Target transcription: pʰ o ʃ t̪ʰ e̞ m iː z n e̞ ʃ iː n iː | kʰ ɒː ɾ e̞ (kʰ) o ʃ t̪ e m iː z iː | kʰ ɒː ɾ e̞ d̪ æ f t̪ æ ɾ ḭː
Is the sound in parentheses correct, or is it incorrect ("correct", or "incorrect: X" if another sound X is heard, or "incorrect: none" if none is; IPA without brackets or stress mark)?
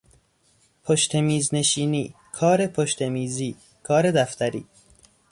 incorrect: pʰ